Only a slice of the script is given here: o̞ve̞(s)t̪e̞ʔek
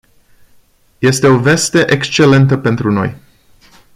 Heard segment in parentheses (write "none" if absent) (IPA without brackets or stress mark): s